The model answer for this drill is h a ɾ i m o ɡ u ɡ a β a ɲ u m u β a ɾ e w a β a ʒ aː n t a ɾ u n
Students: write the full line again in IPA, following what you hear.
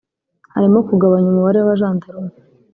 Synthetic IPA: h a ɾ i m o k u ɡ a β a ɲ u m u β a ɾ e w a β a ʒ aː n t a ɾ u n